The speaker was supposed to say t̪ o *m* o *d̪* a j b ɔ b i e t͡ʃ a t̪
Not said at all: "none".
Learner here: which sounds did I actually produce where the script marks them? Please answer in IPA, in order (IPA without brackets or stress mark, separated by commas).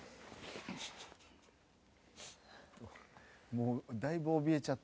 m, d̪